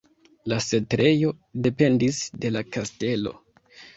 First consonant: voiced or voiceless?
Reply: voiced